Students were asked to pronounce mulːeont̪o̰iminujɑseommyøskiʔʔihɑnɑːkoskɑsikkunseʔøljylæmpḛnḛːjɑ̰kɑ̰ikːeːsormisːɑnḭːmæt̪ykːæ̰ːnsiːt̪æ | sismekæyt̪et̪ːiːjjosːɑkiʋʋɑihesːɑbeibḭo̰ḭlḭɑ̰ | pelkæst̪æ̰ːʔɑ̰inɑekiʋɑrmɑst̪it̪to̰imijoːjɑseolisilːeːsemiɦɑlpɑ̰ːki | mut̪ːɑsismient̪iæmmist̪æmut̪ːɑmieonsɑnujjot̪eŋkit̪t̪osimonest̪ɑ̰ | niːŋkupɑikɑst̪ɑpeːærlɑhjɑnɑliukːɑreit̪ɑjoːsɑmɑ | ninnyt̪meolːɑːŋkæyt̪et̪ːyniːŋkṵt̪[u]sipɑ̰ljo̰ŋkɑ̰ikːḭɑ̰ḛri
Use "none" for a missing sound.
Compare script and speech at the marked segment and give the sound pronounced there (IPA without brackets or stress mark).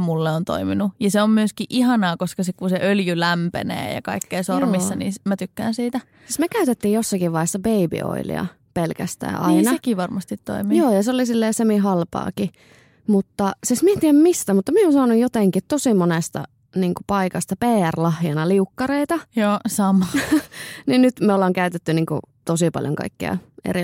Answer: o